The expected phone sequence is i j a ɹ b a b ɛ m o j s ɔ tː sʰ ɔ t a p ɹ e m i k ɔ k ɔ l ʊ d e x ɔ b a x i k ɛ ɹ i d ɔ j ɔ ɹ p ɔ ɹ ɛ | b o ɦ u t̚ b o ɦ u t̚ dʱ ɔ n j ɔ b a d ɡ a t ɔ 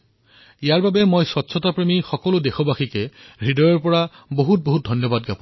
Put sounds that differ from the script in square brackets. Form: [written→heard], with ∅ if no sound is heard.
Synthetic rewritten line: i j a ɹ b a b ɛ m o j s ɔ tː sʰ ɔ t a p ɹ e m i [k→x] ɔ k ɔ l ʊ d e x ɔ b a x i k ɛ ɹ i d ɔ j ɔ ɹ p ɔ ɹ [ɛ→a] | b o ɦ u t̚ b o ɦ u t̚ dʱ ɔ n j ɔ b a d ɡ a [t→p] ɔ